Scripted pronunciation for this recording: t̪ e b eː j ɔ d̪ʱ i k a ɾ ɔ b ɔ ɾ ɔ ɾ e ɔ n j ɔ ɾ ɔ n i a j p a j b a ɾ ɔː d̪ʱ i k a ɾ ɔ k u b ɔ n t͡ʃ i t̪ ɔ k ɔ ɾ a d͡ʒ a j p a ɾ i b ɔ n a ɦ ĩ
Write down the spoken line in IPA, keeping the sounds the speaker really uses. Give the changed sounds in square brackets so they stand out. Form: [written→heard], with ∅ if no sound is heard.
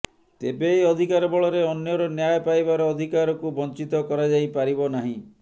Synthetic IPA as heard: t̪ e b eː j ɔ d̪ʱ i k a ɾ ɔ b ɔ [ɾ→ɭ] ɔ ɾ e ɔ n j ɔ ɾ ɔ n [i→j] a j p a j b a ɾ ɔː d̪ʱ i k a ɾ ɔ k u b ɔ n t͡ʃ i t̪ ɔ k ɔ ɾ a d͡ʒ a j p a ɾ i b ɔ n a ɦ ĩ